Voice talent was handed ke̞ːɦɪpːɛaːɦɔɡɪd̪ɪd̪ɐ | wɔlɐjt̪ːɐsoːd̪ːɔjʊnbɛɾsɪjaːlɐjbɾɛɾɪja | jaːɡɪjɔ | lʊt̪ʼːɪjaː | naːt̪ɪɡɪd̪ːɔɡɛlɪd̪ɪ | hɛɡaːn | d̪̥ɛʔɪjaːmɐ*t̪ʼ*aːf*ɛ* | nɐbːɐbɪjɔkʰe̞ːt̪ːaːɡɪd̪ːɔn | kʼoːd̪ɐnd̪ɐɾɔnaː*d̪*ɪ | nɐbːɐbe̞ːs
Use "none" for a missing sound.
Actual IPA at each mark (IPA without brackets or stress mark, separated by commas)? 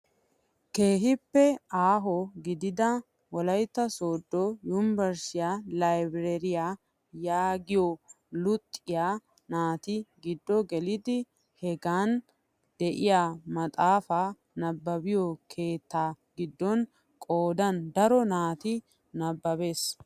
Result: t̪ʼ, a, t̪